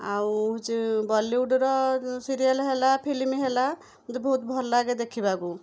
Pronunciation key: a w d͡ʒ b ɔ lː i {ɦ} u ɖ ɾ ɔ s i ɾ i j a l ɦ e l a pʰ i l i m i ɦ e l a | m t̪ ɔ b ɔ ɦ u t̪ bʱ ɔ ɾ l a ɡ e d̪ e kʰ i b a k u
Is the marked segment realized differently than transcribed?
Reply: yes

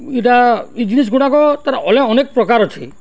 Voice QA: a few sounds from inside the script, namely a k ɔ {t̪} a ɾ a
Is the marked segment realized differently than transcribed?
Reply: no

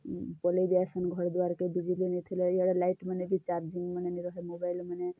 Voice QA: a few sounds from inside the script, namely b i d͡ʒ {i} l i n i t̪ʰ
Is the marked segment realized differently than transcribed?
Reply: no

